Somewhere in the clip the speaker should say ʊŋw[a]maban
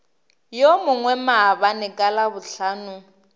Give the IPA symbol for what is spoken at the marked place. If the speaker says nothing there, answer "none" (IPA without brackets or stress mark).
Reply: ɛ